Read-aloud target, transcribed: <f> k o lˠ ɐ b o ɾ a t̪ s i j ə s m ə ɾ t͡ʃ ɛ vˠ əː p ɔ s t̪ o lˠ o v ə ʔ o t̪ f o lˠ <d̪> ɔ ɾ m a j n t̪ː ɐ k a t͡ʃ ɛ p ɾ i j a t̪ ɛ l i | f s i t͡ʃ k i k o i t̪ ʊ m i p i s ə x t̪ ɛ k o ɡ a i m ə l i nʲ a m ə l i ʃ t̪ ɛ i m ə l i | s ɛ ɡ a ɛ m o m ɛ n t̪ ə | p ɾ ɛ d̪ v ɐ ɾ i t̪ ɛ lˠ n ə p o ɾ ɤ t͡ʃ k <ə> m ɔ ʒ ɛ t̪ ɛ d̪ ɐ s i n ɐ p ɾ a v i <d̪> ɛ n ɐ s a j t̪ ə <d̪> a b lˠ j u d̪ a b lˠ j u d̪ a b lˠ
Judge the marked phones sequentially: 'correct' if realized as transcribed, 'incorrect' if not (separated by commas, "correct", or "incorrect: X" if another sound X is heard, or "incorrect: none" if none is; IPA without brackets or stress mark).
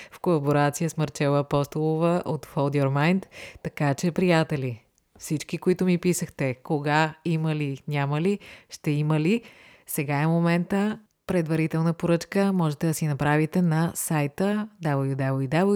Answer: correct, correct, correct, incorrect: t̪, correct